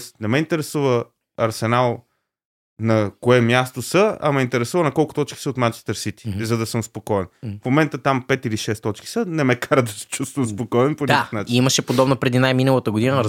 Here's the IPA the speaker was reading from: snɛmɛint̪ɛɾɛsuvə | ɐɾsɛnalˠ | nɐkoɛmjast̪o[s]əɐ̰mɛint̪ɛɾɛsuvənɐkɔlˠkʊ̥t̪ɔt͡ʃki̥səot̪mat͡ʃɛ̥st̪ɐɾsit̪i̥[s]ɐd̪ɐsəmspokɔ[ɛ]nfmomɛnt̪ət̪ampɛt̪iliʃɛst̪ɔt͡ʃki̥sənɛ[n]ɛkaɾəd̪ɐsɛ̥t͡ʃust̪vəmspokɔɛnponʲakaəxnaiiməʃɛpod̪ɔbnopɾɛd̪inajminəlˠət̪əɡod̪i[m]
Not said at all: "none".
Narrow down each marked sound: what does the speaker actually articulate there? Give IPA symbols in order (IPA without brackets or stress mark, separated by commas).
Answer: s, z, ɛ, m, n